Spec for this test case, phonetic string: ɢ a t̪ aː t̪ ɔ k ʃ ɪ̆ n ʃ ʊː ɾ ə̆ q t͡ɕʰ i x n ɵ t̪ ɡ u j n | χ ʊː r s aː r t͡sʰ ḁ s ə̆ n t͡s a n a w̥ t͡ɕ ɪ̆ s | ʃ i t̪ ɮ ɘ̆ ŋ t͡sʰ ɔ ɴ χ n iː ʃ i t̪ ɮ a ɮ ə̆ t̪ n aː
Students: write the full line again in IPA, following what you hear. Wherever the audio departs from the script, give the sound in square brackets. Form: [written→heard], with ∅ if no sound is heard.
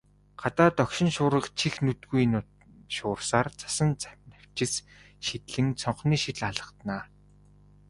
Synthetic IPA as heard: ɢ a t̪ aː t̪ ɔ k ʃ ɪ̆ n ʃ ʊː ɾ ə̆ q t͡ɕʰ i x n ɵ t̪ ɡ u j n | [χ→ʃ] ʊː r s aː r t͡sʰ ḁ s ə̆ n t͡s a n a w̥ t͡ɕ ɪ̆ s | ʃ i t̪ ɮ ɘ̆ ŋ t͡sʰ ɔ ɴ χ n iː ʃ i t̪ ɮ a ɮ ə̆ t̪ n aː